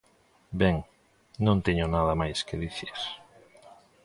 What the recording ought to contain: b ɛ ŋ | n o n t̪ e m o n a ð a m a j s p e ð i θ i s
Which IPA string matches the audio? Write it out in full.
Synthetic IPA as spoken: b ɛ ŋ | n õ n t̪ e ɲ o n a ð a m a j s k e ð i θ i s